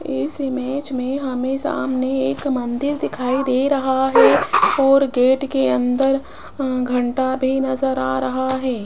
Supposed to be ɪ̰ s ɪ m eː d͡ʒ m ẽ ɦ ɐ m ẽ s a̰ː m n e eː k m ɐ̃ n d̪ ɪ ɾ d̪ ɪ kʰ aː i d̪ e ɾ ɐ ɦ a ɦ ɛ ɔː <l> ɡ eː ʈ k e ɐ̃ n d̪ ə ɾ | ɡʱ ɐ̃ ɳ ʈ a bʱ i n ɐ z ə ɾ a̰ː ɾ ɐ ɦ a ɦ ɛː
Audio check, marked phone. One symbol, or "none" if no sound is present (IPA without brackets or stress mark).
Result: ɾ